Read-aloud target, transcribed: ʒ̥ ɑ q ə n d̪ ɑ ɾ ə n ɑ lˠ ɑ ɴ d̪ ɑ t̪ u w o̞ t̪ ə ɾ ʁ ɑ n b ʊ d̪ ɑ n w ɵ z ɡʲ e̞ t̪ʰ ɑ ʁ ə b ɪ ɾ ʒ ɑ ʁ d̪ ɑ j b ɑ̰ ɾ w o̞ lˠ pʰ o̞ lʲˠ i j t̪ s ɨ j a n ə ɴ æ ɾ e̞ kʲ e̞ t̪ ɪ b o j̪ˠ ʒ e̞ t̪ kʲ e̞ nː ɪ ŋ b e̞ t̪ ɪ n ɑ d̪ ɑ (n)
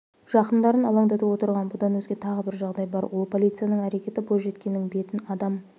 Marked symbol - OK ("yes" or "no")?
no